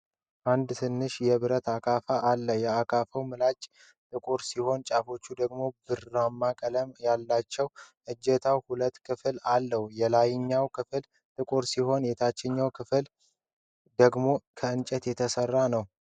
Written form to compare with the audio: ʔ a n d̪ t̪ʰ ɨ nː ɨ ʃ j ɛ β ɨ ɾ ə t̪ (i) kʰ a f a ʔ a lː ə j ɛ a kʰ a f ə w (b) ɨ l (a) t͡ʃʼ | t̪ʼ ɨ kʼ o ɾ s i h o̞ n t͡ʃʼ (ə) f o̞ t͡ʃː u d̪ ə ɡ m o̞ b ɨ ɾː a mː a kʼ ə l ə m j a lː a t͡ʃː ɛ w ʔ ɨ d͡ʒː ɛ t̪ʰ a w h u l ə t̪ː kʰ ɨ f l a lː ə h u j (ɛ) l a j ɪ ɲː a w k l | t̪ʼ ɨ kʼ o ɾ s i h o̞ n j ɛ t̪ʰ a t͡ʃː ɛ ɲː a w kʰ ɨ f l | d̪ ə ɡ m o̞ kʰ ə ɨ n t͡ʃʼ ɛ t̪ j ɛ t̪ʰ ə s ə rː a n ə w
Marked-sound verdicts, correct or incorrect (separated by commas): incorrect, incorrect, correct, incorrect, correct